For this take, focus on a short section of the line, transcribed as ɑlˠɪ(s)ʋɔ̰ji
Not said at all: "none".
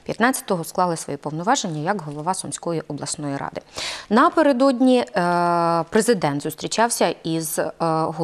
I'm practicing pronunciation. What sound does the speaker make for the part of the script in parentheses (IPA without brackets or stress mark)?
s